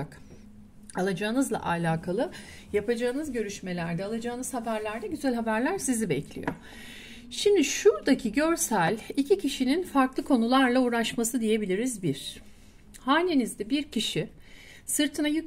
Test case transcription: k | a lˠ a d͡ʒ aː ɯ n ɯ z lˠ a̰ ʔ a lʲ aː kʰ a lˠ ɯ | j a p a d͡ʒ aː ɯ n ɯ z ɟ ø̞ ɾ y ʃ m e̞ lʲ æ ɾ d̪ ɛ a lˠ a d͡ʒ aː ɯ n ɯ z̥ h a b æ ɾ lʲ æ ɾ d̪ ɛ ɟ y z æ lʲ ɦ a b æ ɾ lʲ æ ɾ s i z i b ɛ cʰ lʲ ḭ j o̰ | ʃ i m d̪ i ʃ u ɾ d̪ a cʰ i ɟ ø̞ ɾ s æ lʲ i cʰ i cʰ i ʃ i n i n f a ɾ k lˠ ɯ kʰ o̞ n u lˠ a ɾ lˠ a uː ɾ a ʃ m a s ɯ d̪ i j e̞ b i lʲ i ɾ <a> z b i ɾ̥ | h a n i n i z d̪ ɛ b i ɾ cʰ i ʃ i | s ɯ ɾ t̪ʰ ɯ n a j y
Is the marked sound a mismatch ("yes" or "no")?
yes